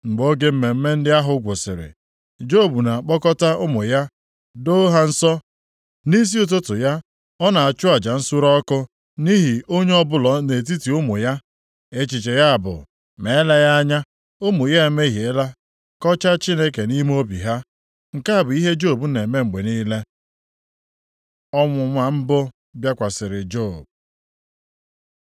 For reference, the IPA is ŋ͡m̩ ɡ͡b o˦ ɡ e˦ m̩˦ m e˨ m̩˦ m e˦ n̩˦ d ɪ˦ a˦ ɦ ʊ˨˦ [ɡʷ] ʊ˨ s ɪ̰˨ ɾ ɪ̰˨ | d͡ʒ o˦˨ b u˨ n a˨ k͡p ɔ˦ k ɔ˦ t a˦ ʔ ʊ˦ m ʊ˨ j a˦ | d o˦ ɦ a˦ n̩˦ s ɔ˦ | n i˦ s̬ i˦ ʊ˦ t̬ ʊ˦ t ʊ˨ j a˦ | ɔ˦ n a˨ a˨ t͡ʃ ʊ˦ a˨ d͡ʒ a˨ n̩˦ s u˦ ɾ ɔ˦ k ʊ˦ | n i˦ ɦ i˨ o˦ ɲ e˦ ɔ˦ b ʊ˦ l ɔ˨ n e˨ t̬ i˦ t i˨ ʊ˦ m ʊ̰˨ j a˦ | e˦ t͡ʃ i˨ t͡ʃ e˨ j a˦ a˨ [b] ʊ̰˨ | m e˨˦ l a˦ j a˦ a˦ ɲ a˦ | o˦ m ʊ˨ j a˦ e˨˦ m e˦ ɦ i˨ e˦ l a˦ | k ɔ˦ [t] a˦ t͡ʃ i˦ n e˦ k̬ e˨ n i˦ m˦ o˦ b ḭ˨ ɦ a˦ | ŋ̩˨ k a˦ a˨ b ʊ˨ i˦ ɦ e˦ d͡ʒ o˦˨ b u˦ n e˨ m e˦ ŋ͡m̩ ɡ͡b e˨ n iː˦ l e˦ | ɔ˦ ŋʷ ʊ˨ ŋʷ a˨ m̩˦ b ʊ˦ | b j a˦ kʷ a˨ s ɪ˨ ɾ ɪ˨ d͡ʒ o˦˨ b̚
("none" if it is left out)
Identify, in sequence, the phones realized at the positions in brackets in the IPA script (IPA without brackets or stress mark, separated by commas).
ɡʷ, b, t͡ʃ